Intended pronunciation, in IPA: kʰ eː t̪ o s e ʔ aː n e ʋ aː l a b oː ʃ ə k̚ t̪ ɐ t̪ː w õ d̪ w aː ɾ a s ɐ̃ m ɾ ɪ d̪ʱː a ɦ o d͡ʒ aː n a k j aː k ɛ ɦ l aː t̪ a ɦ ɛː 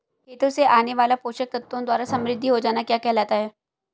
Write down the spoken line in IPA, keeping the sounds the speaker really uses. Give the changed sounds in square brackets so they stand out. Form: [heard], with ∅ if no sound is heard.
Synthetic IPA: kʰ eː t̪ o s e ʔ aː n e ʋ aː l a [p] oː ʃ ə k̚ t̪ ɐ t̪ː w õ d̪ w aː ɾ a s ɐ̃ m ɾ ɪ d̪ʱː [i] ɦ o d͡ʒ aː n a k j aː k ɛ ɦ l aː t̪ a ɦ ɛː